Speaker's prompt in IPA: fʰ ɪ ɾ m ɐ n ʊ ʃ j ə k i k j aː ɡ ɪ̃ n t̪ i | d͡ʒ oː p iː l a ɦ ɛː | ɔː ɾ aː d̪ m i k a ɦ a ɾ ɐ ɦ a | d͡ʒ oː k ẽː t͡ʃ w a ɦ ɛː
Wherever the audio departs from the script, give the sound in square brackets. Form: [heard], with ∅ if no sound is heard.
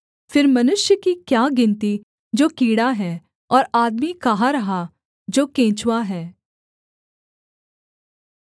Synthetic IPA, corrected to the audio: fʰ ɪ ɾ m ɐ n ʊ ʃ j ə k i k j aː ɡ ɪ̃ n t̪ i | d͡ʒ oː [k] iː [ɽ] a ɦ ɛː | ɔː ɾ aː d̪ m i k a ɦ a ɾ ɐ ɦ a | d͡ʒ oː k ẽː t͡ʃ w a ɦ ɛː